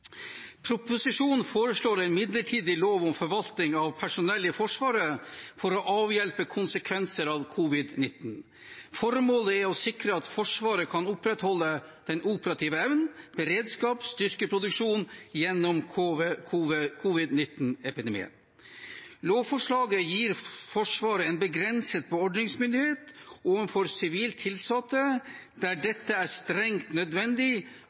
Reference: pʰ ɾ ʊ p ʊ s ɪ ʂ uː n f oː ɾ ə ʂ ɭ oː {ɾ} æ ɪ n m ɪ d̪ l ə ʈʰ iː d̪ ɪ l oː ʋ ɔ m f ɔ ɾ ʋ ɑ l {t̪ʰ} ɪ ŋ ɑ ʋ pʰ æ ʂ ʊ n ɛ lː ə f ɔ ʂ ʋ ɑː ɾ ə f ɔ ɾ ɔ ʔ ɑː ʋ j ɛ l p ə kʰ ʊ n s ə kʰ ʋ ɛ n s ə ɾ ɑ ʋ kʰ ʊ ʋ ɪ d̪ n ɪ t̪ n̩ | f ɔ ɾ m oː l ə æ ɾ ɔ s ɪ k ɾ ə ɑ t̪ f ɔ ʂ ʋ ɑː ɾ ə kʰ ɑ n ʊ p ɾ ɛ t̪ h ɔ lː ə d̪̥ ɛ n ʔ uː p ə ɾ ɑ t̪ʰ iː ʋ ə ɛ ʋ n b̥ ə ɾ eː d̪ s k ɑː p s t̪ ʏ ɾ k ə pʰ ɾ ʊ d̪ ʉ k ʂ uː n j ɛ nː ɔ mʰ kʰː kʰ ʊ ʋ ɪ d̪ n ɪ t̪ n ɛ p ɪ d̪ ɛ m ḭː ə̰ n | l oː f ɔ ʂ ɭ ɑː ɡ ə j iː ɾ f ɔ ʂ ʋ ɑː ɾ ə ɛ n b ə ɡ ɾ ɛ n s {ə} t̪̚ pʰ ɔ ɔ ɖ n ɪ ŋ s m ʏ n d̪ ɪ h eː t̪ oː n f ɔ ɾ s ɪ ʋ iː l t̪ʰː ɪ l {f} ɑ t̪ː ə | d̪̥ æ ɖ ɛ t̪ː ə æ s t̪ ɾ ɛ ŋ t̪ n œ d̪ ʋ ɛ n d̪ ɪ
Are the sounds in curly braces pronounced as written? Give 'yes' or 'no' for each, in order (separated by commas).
yes, no, yes, no